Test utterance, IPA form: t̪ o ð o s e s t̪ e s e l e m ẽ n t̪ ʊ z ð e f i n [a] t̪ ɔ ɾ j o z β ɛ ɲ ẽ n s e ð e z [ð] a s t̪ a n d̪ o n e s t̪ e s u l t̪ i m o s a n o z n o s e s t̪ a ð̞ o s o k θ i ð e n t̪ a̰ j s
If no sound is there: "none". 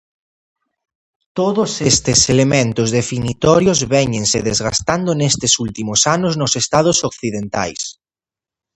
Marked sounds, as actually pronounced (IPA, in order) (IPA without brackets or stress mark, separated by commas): i, ɣ